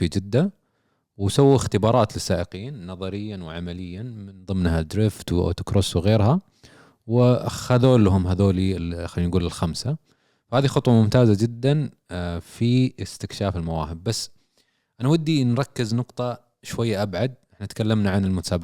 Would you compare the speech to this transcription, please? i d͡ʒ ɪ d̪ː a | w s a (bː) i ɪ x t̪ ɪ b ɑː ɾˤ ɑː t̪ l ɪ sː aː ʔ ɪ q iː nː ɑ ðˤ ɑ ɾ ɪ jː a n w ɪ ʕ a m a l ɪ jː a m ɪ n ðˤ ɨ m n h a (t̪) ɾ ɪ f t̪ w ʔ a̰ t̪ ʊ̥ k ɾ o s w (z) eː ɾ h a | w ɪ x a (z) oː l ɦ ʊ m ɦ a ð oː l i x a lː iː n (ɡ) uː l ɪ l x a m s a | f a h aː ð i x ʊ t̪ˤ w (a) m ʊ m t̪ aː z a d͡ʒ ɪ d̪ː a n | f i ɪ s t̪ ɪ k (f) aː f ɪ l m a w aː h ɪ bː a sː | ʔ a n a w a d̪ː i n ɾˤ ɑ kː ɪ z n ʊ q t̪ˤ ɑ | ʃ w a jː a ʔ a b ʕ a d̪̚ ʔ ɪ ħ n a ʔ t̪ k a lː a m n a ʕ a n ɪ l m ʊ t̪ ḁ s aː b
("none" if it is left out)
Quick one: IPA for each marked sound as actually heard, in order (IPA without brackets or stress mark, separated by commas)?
wː, d̪, ɣ, ð, ɡ, ɑ, ʃ